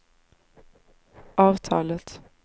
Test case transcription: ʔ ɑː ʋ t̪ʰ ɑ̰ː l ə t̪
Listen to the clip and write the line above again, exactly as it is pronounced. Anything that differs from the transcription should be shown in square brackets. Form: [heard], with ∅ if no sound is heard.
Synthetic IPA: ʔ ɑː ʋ t̪ʰ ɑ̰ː l ə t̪